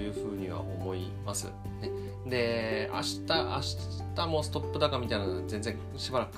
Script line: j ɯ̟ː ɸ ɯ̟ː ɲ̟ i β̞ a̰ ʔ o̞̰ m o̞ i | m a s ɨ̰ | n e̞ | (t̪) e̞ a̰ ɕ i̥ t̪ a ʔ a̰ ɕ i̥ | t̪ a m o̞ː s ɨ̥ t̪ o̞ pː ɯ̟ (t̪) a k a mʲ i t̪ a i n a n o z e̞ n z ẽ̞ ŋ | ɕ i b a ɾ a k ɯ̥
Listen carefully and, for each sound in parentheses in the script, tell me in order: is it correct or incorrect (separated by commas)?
incorrect, incorrect